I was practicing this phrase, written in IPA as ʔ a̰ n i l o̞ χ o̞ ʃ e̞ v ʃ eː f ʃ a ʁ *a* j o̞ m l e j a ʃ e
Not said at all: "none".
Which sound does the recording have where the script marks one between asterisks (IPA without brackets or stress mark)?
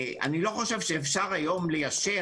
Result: a